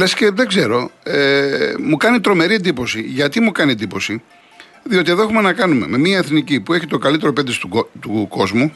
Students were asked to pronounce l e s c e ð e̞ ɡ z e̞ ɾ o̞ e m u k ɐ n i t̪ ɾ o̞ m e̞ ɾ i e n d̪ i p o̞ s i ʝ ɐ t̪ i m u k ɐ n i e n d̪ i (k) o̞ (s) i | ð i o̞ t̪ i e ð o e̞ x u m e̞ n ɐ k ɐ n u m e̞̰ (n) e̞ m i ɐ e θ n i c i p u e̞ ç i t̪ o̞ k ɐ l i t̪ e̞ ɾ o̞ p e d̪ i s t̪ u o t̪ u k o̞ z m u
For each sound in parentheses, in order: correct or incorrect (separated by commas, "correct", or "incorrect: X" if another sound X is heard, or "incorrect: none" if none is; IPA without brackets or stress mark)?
incorrect: p, correct, incorrect: m